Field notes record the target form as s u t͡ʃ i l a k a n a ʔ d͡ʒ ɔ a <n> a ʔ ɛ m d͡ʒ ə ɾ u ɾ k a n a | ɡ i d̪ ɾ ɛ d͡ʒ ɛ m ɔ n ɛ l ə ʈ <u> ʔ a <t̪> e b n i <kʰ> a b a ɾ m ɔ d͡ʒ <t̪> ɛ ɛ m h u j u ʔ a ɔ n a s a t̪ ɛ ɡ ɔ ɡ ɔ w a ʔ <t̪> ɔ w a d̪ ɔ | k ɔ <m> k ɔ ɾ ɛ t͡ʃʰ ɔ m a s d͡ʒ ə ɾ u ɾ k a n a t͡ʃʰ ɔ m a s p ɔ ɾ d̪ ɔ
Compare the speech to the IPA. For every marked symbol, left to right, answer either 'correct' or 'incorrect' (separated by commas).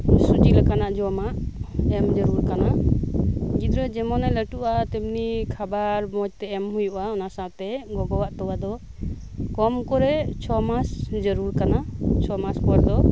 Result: incorrect, correct, correct, correct, correct, correct, correct